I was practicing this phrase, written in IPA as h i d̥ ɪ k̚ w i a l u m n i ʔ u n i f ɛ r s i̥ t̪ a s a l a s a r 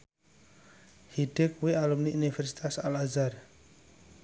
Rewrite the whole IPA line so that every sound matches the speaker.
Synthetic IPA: h i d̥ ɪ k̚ w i a l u m n i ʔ u n i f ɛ r s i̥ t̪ a s a l a z a r

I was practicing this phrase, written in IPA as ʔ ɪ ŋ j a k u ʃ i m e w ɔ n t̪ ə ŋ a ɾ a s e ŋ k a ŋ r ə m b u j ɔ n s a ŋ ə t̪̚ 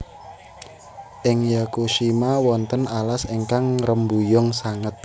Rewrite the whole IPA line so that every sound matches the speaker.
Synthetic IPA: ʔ ɪ ŋ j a k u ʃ i m a w ɔ n t̪ ə n a l a s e ŋ k a ŋ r ə m b u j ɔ ŋ s a ŋ ə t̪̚

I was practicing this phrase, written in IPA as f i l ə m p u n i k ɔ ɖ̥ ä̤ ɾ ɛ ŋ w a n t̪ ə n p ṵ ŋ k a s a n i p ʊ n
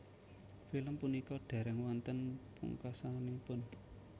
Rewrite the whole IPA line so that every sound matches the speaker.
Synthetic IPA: f i l ə m p u n i k ɔ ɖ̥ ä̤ ɾ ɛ ŋ w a n t̪ ə n p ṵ ŋ k a s a n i p ʊ n

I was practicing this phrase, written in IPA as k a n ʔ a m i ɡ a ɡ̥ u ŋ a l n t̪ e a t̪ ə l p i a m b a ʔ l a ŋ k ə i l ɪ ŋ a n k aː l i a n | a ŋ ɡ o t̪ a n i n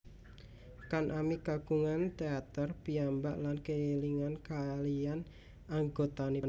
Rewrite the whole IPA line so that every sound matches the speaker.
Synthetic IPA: k a n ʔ a m i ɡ a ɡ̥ u ŋ a n t̪ e a t̪ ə r p i a m b a ʔ l a n k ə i l i ŋ a n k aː l i a n | a ŋ ɡ o t̪ a n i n

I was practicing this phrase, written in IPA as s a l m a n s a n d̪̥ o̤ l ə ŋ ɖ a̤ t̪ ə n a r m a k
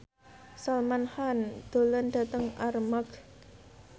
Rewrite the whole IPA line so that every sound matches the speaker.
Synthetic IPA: s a l m a n h a n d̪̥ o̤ l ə n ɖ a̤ t̪ ə ŋ a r m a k

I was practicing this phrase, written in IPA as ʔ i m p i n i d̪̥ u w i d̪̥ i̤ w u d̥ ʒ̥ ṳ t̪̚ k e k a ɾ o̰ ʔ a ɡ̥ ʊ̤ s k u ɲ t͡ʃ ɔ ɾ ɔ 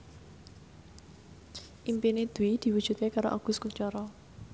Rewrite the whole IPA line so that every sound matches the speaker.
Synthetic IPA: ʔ i m p i n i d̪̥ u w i d̪̥ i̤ w u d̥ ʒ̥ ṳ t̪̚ k e k a ɾ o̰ ʔ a ɡ̥ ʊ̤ s k u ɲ t͡ʃ ɔ ɾ ɔ

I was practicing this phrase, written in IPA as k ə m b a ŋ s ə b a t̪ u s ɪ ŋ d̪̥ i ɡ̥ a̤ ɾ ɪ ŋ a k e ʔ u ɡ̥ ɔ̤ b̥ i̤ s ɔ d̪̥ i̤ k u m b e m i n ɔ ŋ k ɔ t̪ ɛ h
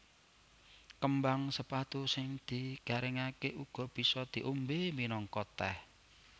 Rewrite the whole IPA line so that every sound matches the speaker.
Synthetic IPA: k ə m b a ŋ s ə p a t̪ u s ɪ ŋ d̪̥ i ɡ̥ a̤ ɾ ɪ ŋ a k e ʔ u ɡ̥ ɔ̤ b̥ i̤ s ɔ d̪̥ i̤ ʔ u m b e m i n ɔ ŋ k ɔ t̪ ɛ h

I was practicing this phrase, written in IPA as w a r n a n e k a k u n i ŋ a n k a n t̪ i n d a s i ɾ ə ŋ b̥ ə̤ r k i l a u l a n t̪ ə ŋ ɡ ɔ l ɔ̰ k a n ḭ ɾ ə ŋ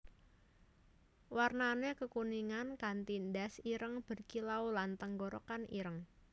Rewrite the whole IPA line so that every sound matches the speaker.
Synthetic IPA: w a r n a n e k ə k u n i ŋ a n k a n t̪ i n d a s i ɾ ə ŋ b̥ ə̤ r k i l a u l a n t̪ ə ŋ ɡ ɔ ɾ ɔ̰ k a n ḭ ɾ ə ŋ

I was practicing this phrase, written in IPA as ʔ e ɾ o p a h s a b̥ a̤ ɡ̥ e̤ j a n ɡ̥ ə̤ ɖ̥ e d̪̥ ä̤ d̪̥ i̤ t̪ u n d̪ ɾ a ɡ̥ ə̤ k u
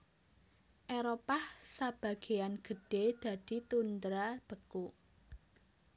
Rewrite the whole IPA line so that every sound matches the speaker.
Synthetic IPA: ʔ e ɾ o p a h s a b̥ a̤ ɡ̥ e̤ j a n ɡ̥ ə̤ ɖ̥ e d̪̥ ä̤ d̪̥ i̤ t̪ u n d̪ ɾ a b̥ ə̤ k u

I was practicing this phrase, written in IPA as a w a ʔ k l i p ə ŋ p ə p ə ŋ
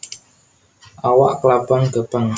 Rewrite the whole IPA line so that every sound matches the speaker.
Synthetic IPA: a w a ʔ k l a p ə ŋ k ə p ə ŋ

